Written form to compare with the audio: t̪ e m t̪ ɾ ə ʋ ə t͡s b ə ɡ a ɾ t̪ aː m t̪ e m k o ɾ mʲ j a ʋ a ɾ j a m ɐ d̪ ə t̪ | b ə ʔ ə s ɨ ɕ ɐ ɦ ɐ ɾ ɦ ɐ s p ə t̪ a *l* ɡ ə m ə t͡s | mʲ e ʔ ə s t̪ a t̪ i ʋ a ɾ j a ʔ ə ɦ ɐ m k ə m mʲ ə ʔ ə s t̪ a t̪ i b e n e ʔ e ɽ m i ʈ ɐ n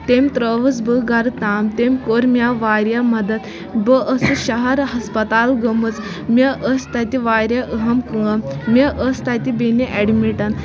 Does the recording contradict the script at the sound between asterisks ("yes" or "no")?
no